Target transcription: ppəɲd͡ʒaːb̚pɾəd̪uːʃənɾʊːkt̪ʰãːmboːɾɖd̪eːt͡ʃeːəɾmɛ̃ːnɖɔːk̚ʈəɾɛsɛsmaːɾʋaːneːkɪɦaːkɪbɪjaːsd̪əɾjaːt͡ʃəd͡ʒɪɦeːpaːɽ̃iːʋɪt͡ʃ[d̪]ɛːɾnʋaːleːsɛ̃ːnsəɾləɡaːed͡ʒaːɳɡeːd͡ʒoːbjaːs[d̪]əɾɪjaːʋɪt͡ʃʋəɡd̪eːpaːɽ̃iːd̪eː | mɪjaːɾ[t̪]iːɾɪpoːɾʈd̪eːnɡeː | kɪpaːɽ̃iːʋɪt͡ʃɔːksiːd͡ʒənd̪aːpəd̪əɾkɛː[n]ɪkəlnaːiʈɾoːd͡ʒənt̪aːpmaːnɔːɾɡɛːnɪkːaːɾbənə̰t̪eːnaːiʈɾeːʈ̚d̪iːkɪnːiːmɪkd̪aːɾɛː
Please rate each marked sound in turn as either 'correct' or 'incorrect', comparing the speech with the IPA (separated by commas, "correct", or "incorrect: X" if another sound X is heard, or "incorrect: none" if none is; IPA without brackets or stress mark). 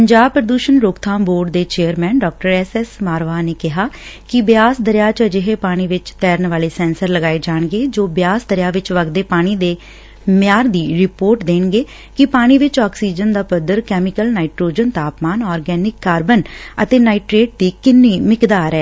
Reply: incorrect: t̪, correct, incorrect: d̪, incorrect: m